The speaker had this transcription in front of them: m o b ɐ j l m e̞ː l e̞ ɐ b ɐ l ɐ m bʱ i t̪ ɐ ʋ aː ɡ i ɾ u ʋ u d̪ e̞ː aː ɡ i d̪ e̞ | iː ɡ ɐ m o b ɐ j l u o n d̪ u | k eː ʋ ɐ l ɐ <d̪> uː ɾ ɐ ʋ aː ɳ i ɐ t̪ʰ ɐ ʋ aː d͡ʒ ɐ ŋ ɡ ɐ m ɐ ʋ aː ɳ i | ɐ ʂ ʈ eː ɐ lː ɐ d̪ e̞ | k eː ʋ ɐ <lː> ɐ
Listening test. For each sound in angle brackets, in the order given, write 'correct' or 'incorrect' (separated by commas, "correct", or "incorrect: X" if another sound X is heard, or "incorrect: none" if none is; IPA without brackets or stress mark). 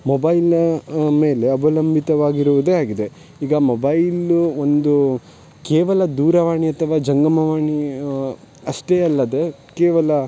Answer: correct, incorrect: l